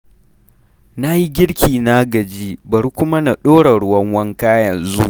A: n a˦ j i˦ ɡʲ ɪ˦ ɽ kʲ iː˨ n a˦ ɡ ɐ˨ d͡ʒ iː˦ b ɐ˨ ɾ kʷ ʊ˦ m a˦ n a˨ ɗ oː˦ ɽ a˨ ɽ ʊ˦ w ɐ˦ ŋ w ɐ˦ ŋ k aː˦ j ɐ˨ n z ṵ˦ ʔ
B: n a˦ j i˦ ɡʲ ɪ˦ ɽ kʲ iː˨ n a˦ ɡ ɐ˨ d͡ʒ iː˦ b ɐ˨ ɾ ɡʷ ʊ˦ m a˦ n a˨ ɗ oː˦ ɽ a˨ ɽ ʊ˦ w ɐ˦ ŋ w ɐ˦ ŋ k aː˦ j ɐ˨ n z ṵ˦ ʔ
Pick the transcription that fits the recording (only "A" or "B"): A